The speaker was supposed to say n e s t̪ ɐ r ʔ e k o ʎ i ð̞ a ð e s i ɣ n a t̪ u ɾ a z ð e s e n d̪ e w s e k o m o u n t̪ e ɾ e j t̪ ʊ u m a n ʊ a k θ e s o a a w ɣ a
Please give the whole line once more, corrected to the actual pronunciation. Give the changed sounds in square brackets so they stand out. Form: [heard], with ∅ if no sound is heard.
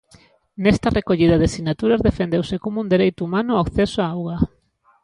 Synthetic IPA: n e s t̪ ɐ r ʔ e k o ʎ i ð̞ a ð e s i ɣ n a t̪ u ɾ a z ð e [f] e n d̪ e w s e k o m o u n [d̪] e ɾ e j t̪ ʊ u m a n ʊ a k θ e s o a a w ɣ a